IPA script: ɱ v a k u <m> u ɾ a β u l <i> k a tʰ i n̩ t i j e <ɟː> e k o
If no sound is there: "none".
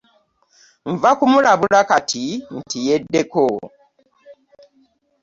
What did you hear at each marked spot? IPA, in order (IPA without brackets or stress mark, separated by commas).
m, a, dː